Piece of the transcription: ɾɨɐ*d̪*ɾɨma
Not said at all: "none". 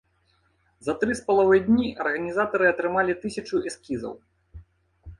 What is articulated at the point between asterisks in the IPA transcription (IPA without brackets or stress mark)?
t̪